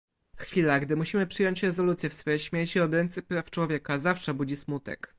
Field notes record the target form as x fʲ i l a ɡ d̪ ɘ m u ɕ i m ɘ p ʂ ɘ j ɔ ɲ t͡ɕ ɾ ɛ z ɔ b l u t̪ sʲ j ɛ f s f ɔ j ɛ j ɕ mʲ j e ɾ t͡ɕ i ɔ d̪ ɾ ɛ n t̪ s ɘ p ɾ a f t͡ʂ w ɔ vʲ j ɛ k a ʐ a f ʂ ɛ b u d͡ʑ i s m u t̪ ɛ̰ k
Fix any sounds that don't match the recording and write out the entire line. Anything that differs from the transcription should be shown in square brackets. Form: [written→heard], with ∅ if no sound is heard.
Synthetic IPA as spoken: x fʲ i l a ɡ d̪ ɘ m u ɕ i m ɘ p ʂ ɘ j ɔ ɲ t͡ɕ ɾ ɛ z ɔ [b→∅] l u t̪ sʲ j ɛ f s f ɔ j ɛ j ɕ mʲ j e ɾ t͡ɕ i ɔ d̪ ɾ ɛ n t̪ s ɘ p ɾ a f t͡ʂ w ɔ vʲ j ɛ k a [ʐ→z] a f ʂ ɛ b u d͡ʑ i s m u t̪ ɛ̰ k